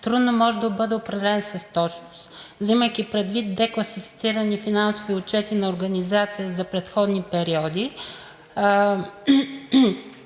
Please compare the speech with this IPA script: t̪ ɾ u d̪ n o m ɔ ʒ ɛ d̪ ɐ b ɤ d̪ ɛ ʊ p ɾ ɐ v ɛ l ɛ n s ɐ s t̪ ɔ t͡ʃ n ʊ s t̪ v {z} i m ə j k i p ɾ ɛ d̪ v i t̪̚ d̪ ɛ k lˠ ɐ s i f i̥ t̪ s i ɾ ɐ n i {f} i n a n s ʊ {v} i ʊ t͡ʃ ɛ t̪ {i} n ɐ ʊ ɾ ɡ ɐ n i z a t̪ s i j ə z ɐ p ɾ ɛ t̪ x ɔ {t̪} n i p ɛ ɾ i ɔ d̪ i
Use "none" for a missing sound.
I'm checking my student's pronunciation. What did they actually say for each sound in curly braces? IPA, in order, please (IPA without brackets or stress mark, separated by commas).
z, f, v, i, d̪